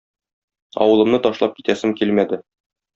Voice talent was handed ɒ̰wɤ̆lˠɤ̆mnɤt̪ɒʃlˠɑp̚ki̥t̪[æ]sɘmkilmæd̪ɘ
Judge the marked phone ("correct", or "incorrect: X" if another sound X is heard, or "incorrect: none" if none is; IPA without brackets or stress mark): correct